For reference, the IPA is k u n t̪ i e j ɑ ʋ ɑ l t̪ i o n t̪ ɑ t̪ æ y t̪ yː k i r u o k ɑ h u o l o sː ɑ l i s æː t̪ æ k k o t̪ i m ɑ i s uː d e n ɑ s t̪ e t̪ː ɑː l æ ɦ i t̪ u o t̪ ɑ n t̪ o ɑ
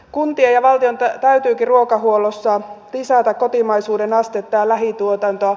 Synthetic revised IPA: k u n t̪ i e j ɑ ʋ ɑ l t̪ i o n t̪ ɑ t̪ æ y t̪ yː k i r u o k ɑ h u o l o sː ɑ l i s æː t̪ æ k k o t̪ i m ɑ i s uː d e n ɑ s t̪ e t̪ː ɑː l æ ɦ i t̪ u o t̪ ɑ n t̪ o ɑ